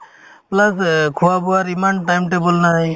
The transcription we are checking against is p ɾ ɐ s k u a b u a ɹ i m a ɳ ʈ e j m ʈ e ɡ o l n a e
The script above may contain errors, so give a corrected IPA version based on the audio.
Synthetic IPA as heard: p l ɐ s kʰ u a b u a ɾ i m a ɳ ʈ a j m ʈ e b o l n a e